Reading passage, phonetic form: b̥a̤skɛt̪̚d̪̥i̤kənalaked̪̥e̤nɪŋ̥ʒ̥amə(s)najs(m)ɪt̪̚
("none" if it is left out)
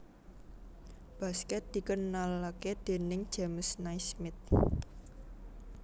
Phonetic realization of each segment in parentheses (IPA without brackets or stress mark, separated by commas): s, m